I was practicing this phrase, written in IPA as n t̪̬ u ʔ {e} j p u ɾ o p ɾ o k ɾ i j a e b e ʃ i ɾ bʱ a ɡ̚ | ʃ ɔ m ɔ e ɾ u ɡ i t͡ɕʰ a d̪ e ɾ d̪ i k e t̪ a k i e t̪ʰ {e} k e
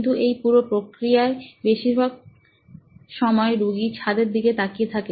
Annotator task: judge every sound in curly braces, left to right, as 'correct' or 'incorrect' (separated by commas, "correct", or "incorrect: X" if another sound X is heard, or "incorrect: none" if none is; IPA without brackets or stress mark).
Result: correct, incorrect: a